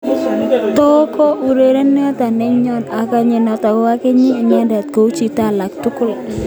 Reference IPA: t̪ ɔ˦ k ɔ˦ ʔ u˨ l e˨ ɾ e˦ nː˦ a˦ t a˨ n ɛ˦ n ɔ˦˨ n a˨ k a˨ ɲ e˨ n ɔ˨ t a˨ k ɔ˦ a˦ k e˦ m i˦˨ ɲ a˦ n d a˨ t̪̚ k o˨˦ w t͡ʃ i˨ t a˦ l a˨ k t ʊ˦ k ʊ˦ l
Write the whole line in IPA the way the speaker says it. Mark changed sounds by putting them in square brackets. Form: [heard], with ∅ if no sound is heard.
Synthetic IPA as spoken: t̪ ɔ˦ k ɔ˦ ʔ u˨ [ɾ] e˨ ɾ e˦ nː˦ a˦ t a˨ n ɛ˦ [ɲ] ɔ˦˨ n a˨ k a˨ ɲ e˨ n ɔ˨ t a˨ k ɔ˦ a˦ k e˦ [ɲ] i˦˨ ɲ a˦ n d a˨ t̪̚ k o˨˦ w t͡ʃ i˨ t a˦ l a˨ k t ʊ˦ k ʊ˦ l